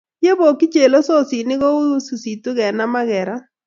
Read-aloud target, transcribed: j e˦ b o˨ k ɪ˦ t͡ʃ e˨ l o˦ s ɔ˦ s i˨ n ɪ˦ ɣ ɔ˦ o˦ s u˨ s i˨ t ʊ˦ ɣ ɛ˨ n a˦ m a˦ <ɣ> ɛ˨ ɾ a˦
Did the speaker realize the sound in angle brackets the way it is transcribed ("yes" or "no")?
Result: yes